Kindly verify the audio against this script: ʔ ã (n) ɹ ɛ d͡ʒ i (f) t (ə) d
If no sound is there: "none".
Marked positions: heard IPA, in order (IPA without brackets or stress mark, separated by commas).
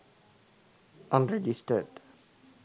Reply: n, s, ə